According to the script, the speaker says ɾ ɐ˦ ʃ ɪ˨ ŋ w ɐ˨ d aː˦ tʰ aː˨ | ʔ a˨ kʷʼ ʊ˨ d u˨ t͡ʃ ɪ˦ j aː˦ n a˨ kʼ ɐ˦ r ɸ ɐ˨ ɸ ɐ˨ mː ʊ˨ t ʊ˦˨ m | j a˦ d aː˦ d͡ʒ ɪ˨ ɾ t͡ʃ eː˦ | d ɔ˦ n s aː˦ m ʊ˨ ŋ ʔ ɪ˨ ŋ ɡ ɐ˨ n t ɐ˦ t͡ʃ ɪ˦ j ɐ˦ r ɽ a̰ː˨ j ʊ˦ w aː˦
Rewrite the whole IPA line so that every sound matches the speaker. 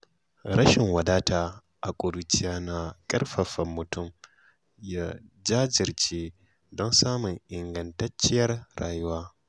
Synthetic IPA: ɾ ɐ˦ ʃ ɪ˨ ŋ w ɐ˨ d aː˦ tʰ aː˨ | ʔ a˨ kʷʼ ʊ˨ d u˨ t͡ʃ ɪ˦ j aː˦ n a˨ kʼ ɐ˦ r ɸ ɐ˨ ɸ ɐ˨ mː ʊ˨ t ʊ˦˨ m | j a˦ d͡ʒ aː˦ d͡ʒ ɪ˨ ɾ t͡ʃ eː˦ | d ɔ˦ n s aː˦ m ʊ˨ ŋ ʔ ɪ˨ ŋ ɡ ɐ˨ n t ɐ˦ t͡ʃ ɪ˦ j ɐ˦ r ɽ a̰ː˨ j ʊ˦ w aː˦